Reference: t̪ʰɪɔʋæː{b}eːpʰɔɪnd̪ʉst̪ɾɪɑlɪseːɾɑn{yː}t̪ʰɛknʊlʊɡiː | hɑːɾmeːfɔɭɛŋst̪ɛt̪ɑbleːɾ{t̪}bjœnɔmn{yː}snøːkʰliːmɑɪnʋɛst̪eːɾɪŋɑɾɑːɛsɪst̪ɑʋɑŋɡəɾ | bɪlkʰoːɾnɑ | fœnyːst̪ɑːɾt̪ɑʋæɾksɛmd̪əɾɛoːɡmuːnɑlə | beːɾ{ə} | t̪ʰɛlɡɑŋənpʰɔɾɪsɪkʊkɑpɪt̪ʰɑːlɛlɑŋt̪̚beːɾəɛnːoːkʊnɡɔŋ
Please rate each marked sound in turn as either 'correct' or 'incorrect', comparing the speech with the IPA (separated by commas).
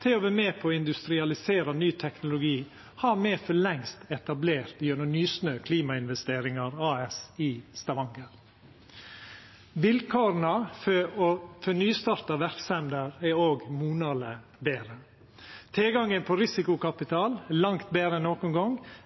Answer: incorrect, correct, correct, correct, correct